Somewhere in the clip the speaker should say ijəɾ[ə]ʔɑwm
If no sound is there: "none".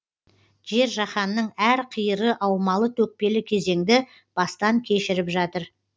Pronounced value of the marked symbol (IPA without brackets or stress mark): ə